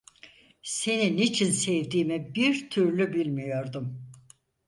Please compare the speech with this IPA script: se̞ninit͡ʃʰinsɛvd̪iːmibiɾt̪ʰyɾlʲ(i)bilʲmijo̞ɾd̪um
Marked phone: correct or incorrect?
incorrect